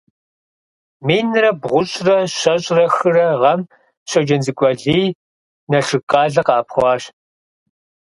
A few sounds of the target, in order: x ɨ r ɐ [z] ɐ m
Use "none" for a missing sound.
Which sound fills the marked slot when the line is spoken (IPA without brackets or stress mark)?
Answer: ʁ